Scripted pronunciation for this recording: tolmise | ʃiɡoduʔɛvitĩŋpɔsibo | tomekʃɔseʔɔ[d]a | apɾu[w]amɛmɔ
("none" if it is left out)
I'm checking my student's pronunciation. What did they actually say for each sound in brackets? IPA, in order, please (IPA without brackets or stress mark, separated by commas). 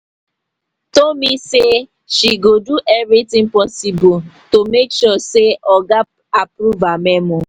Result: ɡ, v